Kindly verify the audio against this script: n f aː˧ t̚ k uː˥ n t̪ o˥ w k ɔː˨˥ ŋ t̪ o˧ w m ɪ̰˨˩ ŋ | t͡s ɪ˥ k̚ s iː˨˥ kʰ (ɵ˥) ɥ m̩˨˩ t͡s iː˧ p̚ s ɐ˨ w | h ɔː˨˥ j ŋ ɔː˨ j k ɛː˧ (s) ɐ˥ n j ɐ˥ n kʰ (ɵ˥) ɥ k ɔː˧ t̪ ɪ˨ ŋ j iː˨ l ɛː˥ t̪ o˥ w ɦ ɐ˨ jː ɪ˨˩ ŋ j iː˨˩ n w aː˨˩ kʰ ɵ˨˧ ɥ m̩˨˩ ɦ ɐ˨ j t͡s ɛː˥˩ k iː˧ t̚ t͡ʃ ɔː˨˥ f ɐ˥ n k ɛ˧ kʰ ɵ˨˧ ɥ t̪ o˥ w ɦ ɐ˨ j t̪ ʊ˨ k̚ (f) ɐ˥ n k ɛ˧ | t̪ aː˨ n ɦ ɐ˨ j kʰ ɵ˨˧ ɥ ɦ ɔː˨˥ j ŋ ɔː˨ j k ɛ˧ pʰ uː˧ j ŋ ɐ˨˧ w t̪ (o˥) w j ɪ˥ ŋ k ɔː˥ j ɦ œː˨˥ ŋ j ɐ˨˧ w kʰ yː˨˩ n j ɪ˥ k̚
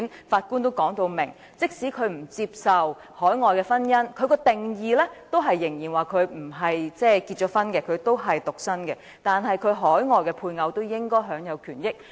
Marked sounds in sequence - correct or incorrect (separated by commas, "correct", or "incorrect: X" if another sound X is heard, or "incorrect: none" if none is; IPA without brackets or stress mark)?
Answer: incorrect: ɵ˨˧, incorrect: f, incorrect: ɵ˨˧, incorrect: s, correct